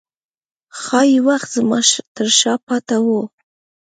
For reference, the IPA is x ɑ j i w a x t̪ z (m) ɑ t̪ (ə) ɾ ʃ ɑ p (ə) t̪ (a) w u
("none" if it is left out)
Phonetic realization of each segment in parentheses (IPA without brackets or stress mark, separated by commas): m, ə, ɑ, a